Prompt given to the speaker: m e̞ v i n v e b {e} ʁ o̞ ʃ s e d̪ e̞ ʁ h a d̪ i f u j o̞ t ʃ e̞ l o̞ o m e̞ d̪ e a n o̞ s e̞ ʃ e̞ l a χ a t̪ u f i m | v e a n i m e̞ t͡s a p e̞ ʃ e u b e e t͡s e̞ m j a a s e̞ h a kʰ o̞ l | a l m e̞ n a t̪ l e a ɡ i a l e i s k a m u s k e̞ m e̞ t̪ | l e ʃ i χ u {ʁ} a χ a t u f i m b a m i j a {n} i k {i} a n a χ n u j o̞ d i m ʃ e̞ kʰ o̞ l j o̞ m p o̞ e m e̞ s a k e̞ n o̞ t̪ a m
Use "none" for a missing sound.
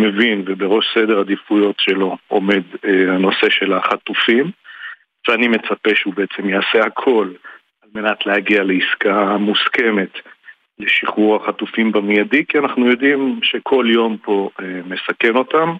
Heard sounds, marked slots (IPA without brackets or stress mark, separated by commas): e, ʁ, d, i